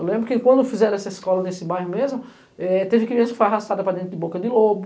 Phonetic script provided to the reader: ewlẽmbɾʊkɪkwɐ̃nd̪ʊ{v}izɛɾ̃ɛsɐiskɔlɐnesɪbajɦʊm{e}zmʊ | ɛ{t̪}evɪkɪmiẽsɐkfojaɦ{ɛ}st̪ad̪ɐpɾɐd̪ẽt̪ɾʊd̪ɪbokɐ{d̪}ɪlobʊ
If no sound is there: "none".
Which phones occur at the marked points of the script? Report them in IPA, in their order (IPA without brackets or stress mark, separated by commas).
f, e, t̪, a, d̪